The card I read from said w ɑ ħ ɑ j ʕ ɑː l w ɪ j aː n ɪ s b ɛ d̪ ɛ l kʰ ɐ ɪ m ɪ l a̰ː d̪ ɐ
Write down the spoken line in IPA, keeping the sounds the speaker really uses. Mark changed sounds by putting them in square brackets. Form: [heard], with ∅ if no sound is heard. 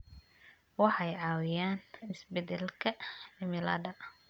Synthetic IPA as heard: w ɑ ħ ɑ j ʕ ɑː [∅] w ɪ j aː n ɪ s b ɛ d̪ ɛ l kʰ ɐ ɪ m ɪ l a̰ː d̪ ɐ